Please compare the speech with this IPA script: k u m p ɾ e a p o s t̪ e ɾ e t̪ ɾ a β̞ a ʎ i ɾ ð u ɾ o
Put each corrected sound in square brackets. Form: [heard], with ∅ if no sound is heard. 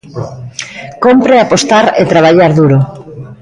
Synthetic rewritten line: k [o] m p ɾ e a p o s t̪ [a] ɾ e t̪ ɾ a β̞ a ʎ [a] ɾ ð u ɾ o